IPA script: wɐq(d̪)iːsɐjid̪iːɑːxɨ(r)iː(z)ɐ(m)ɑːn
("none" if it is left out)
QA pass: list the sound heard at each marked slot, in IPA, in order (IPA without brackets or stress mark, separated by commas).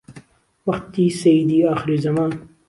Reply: t̪, ɾ, z, m